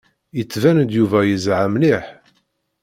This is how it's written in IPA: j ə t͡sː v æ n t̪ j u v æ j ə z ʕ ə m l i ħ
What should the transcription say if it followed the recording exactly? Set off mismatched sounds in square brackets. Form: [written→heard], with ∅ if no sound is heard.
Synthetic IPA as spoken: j ə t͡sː v æ n [t̪→d̪] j u v æ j ə z ʕ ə m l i ħ